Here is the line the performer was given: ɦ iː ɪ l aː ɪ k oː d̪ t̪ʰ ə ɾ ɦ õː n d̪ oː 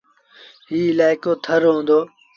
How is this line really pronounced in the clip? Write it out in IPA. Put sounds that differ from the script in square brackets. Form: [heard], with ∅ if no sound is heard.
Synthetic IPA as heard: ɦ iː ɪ l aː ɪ k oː [∅] t̪ʰ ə ɾ ɦ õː n d̪ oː